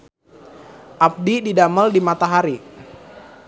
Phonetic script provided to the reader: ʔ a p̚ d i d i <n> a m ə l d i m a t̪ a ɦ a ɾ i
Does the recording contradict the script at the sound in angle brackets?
yes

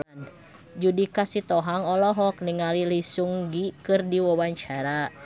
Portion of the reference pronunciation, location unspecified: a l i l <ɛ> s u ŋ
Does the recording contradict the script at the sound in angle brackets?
yes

